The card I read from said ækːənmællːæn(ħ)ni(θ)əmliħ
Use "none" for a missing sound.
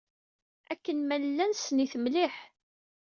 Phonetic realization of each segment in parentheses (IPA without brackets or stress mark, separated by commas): s, θ